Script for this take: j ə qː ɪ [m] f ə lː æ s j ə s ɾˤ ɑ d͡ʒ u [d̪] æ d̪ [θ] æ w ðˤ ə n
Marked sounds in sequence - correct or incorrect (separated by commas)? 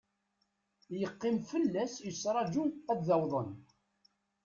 correct, incorrect, incorrect